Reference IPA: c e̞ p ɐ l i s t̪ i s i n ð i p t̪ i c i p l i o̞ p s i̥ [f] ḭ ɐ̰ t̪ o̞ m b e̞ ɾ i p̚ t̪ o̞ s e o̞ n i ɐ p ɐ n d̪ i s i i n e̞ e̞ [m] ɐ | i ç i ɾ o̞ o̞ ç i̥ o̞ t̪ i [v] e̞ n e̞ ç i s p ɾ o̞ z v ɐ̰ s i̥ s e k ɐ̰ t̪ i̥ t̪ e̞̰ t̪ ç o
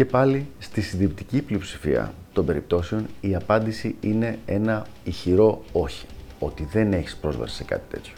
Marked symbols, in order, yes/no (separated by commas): yes, no, no